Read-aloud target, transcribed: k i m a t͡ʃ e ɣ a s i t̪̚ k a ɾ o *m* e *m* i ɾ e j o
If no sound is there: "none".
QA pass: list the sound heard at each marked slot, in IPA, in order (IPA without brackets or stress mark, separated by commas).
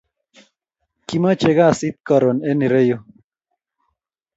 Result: n, n